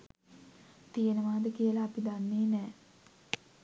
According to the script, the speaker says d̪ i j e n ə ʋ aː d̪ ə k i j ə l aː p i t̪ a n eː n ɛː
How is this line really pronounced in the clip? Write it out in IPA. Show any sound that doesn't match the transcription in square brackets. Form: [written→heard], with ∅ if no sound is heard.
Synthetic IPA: [d̪→t̪] i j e n ə ʋ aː d̪ ə k i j ə l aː p i [t̪→d̪] a [n→nː] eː n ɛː